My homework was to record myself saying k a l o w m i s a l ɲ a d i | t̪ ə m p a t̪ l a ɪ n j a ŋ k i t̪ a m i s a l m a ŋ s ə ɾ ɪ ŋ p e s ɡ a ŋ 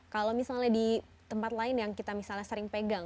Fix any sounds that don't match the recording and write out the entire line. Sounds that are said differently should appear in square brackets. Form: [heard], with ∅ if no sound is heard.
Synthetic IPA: k a l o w m i s a l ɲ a d i | t̪ ə m p a t̪ l a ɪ n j a ŋ k i t̪ a m i s a l [ɲ] a [∅] s ə ɾ ɪ ŋ p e [∅] ɡ a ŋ